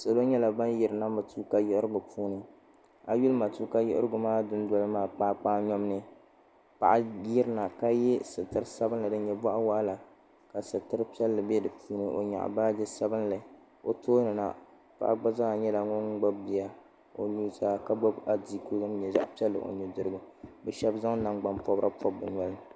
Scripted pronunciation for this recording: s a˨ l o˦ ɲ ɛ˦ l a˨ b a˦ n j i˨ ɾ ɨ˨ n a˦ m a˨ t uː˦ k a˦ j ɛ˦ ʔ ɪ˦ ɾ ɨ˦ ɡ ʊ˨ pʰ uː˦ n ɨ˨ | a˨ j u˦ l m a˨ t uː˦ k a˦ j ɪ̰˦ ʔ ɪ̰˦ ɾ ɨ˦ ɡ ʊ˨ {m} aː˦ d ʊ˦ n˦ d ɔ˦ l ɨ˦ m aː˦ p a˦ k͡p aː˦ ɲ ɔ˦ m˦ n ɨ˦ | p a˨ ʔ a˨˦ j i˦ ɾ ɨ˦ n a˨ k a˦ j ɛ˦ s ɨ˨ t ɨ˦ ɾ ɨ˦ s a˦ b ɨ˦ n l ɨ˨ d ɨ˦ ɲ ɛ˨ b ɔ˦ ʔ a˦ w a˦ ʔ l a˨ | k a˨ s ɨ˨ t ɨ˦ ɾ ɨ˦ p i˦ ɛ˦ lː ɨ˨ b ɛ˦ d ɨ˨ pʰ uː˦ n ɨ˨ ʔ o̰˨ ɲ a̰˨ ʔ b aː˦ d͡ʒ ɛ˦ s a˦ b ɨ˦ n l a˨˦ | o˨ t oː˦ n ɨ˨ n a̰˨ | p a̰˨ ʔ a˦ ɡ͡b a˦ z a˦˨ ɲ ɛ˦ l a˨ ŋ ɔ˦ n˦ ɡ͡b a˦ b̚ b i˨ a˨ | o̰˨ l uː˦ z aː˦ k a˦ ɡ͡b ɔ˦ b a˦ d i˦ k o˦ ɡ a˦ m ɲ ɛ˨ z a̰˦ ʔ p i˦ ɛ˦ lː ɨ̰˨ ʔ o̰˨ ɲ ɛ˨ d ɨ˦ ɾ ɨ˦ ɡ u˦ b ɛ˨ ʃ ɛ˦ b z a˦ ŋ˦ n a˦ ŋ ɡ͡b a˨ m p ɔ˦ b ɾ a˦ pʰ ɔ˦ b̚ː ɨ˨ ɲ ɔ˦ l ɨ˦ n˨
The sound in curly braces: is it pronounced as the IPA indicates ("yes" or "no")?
yes